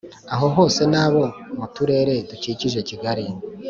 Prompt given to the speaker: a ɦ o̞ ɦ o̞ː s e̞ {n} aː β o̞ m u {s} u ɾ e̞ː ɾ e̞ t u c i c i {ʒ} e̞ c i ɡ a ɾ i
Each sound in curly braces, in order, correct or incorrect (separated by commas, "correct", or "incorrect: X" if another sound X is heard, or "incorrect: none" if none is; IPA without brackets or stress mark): correct, incorrect: t, correct